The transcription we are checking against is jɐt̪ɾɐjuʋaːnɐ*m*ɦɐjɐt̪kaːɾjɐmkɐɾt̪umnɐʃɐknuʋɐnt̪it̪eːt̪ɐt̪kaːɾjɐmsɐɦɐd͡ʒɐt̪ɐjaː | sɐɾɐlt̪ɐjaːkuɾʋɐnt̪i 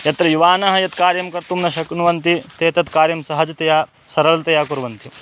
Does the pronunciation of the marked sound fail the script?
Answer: yes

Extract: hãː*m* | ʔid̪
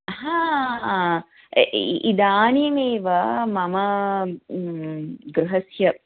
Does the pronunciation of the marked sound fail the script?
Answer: yes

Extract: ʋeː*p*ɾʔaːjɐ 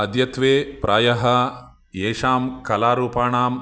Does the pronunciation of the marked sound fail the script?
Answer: no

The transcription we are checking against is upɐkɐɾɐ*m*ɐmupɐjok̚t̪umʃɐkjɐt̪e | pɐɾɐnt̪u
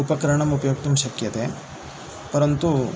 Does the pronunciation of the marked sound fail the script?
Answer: yes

